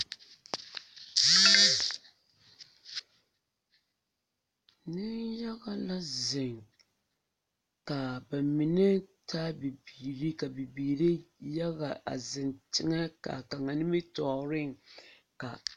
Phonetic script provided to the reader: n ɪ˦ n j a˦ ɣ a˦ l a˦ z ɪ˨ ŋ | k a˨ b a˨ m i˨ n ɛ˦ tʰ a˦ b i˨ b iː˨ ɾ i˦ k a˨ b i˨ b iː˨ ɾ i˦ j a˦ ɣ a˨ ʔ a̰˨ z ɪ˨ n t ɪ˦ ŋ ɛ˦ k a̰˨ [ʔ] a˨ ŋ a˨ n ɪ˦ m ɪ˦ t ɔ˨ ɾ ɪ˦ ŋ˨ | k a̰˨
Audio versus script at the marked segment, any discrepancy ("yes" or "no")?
yes